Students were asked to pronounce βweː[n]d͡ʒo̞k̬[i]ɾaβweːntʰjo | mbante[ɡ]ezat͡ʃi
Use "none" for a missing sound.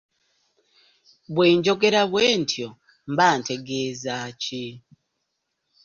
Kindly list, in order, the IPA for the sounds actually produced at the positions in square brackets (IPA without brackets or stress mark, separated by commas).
ɲ, e, ɡ